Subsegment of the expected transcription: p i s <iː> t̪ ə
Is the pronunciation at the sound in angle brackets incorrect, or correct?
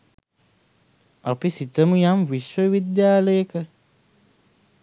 incorrect